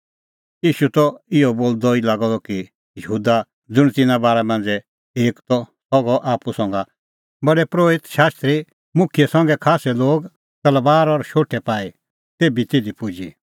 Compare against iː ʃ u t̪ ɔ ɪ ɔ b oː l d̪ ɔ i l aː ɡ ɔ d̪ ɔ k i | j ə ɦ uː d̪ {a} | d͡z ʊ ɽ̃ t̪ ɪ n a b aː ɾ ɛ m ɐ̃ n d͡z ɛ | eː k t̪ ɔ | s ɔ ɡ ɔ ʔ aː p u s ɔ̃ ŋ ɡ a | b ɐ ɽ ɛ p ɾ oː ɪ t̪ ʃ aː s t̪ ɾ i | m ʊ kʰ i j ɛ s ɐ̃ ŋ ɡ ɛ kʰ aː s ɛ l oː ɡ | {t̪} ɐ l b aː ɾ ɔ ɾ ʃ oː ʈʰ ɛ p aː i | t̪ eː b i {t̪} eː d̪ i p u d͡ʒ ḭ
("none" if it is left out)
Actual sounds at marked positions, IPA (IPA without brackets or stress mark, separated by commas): a, t̪, t̪